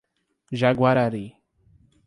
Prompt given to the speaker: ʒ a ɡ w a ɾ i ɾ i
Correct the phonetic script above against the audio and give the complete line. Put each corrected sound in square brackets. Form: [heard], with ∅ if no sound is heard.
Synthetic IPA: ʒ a ɡ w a ɾ [a] ɾ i